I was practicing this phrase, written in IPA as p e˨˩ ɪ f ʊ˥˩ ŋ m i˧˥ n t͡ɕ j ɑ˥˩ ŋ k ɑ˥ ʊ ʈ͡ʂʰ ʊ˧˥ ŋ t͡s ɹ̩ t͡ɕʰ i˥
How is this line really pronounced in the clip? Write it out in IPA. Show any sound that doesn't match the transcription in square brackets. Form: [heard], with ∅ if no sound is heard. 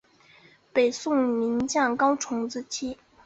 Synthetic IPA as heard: p e˨˩ ɪ [s] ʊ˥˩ ŋ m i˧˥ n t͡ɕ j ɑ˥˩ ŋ k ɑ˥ ʊ ʈ͡ʂʰ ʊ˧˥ ŋ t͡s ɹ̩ t͡ɕʰ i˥